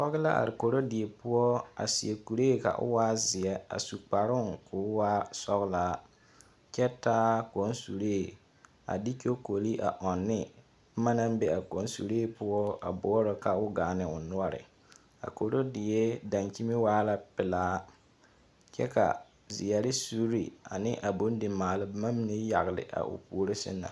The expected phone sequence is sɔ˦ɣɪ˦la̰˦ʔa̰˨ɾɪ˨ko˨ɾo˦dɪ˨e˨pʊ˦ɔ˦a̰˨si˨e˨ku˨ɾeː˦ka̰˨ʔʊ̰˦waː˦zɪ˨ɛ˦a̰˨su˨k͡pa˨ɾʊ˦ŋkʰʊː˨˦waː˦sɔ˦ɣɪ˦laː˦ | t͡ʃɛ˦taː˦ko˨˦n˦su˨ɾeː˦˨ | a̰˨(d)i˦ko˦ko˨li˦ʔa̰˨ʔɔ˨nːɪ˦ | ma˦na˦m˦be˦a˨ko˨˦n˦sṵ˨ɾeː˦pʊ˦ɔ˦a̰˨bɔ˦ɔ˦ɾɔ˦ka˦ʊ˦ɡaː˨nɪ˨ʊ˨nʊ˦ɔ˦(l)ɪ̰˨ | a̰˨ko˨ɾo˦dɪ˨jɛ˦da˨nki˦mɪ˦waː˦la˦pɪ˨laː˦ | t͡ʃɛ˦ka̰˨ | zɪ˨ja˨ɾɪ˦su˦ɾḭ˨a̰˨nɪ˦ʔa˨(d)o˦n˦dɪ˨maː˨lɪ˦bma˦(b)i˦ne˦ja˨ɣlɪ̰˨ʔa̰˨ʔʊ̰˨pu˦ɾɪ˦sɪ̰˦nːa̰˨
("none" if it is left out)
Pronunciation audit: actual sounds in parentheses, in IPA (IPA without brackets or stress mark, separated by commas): d, ɾ, b, m